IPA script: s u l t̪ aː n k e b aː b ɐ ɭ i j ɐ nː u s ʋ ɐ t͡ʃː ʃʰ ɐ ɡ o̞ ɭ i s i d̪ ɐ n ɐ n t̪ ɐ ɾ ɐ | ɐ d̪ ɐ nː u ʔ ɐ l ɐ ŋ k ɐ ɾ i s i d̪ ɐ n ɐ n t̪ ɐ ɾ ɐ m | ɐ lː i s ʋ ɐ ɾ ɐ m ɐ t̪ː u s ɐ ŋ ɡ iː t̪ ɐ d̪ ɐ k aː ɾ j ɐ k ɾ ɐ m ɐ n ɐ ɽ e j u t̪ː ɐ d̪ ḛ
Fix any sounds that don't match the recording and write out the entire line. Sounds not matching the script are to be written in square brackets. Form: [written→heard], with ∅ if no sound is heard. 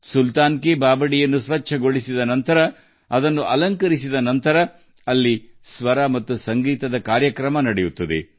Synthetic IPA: s u l t̪ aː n k e b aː b ɐ [ɭ→ɽ] i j ɐ nː u s ʋ ɐ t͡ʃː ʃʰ ɐ ɡ o̞ ɭ i s i d̪ ɐ n ɐ n t̪ ɐ ɾ ɐ | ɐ d̪ ɐ nː u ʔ ɐ l ɐ ŋ k ɐ ɾ i s i d̪ ɐ n ɐ n t̪ ɐ ɾ ɐ [m→∅] | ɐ lː i s ʋ ɐ ɾ ɐ m ɐ t̪ː u s ɐ ŋ ɡ iː t̪ ɐ d̪ ɐ k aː ɾ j ɐ k ɾ ɐ m ɐ n ɐ ɽ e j u t̪ː ɐ d̪ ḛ

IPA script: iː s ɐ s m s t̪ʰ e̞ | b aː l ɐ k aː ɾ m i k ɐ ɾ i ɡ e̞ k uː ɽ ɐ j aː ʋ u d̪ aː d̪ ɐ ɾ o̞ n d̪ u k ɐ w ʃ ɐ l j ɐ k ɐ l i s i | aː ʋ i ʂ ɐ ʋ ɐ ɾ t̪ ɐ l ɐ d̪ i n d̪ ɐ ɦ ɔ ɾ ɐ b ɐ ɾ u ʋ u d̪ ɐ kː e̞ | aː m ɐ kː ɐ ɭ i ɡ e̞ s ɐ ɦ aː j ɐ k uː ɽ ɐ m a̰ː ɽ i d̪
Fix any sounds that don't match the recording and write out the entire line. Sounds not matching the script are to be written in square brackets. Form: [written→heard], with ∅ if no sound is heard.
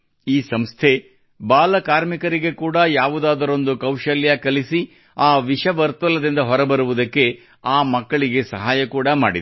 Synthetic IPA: iː s ɐ [s→∅] m s t̪ʰ e̞ | b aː l ɐ k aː ɾ m i k ɐ ɾ i ɡ e̞ k uː ɽ ɐ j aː ʋ u d̪ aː d̪ ɐ ɾ o̞ n d̪ u k ɐ w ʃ ɐ l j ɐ k ɐ l i s i | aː ʋ i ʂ ɐ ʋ ɐ ɾ t̪ ɐ l ɐ d̪ i n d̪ ɐ ɦ ɔ ɾ ɐ b ɐ ɾ u ʋ u d̪ ɐ kː e̞ | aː m ɐ kː ɐ ɭ i ɡ e̞ s ɐ ɦ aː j ɐ k uː ɽ ɐ m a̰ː ɽ i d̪

